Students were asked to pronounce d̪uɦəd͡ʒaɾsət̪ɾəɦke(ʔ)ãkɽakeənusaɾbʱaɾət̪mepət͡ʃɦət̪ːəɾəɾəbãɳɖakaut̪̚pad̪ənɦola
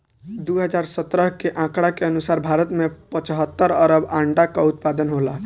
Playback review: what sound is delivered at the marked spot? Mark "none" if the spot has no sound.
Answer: ʔ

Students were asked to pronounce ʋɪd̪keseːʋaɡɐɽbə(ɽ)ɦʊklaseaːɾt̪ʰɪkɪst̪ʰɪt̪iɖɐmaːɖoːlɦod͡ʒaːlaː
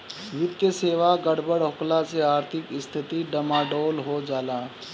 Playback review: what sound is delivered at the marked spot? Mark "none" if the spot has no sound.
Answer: ɽ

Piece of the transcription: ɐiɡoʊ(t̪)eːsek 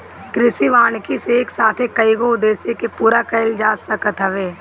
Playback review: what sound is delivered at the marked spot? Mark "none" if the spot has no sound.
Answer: d̪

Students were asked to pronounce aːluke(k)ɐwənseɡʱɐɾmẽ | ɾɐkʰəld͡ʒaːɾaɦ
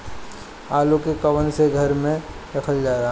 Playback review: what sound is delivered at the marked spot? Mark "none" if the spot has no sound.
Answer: k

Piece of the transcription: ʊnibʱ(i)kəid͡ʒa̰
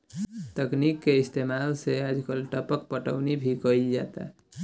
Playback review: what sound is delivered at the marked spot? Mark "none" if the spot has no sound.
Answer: i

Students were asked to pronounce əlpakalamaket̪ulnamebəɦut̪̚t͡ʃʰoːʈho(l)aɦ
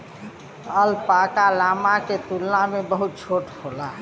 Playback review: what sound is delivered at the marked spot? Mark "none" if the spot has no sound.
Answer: l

